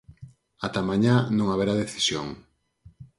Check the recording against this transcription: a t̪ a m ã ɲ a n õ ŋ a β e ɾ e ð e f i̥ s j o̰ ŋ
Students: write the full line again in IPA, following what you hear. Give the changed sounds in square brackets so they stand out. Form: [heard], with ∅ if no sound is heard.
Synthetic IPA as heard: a t̪ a m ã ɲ a n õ ŋ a β e ɾ [a] ð e [θ] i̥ s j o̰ ŋ